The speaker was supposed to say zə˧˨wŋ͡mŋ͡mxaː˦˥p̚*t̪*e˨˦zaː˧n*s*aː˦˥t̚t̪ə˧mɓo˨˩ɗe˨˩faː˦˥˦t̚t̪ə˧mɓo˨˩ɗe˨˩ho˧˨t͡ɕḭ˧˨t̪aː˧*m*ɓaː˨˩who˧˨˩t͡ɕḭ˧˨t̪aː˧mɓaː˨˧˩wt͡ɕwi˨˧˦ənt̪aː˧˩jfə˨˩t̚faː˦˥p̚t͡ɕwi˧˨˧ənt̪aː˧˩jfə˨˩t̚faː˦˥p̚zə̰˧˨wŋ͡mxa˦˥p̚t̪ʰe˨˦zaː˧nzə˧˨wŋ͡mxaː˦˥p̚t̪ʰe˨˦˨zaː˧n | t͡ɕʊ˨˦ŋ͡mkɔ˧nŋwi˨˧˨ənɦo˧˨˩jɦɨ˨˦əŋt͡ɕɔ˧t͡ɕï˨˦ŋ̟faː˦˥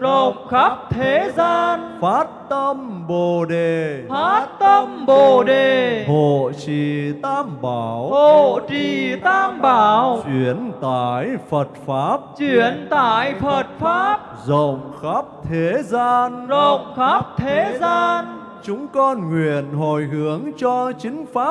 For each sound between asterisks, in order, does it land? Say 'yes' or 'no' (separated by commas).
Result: no, no, yes